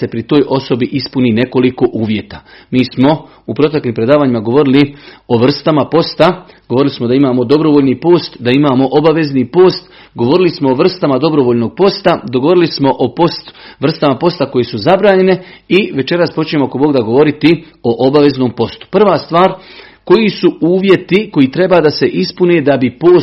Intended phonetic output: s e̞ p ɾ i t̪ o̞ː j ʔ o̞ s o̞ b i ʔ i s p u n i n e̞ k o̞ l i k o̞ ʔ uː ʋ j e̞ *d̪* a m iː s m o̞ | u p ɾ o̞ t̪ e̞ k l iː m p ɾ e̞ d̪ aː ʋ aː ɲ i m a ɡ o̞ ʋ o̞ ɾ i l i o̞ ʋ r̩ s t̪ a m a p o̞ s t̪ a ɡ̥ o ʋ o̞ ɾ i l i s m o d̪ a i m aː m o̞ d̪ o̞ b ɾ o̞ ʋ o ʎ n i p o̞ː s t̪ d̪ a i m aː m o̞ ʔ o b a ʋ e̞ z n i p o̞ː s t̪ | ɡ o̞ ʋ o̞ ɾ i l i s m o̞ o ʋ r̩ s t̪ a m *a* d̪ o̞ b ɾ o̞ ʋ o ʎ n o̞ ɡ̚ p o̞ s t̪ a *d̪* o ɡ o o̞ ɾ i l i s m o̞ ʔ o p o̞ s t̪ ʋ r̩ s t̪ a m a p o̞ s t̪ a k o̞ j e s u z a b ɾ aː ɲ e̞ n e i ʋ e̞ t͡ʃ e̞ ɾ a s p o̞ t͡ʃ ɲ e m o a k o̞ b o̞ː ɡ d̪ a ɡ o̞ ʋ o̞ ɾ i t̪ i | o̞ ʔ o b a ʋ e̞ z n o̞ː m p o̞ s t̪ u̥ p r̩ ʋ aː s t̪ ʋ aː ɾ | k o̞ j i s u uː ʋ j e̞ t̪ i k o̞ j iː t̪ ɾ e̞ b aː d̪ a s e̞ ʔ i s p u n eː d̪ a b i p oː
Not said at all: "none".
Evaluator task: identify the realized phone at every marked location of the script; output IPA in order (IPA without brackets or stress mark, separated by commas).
t̪, a, d̪